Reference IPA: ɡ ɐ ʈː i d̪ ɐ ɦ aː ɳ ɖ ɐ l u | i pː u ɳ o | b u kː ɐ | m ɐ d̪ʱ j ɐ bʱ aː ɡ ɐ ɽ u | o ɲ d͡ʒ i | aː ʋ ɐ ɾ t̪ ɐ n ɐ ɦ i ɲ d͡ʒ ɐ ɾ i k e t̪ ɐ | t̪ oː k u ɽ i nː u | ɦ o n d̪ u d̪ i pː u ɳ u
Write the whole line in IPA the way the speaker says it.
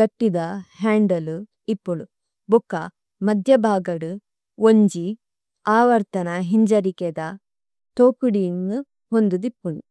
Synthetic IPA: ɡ ɐ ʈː i d̪ ɐ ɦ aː ɳ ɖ ɐ l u | i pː u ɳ u | b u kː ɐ | m ɐ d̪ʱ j ɐ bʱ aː ɡ ɐ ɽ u | o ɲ d͡ʒ i | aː ʋ ɐ ɾ t̪ ɐ n ɐ ɦ i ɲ d͡ʒ ɐ ɾ i k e d̪ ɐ | t̪ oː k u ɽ i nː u | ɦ o n d̪ u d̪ i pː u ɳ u